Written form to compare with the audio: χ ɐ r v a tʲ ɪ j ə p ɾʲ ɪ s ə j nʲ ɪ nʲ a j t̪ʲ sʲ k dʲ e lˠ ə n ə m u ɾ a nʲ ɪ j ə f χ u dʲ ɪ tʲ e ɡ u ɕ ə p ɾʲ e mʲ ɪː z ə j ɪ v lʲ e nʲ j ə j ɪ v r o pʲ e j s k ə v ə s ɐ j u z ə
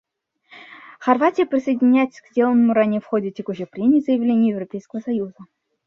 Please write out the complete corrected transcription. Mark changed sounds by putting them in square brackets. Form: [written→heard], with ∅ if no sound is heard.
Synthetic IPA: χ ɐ r v a tʲ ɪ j ə p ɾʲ ɪ s ə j [nʲ→dʲ] ɪ nʲ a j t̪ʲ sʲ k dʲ e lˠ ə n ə m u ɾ a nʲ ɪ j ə f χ [u→o] dʲ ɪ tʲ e [ɡ→k] u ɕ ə p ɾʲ e mʲ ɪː z ə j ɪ v lʲ e nʲ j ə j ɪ v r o pʲ e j s k ə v ə s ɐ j u z ə